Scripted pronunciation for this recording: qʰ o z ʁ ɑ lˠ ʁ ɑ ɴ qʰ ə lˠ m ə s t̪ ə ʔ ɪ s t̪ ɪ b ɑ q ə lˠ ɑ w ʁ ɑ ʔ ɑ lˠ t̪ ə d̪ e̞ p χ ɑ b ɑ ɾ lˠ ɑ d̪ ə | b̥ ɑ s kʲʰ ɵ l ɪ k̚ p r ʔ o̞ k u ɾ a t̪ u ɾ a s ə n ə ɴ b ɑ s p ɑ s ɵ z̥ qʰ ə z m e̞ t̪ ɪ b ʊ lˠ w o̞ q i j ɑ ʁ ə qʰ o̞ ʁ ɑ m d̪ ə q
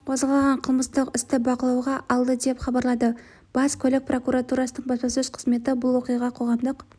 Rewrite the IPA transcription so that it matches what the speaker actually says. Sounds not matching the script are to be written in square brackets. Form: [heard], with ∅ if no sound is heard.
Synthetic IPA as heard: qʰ o z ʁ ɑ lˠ ʁ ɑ ɴ qʰ ə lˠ m ə s t̪ ə [q] ɪ s t̪ ɪ b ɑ q ə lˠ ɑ w ʁ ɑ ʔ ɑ lˠ [d̪] ə d̪ e̞ p χ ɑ b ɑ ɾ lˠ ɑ d̪ ə | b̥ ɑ s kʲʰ ɵ l ɪ k̚ p r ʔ o̞ k u ɾ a t̪ u ɾ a s ə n ə ɴ b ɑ s p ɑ s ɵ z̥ qʰ ə z m e̞ t̪ ɪ b ʊ lˠ w o̞ q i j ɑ ʁ [ɑ] qʰ o̞ ʁ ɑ m d̪ ə q